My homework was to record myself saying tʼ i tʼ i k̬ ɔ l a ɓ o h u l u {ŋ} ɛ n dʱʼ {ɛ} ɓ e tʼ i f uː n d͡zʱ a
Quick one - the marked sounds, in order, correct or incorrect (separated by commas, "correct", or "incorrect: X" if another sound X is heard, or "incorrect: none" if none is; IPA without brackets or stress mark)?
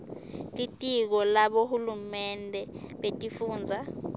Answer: incorrect: m, correct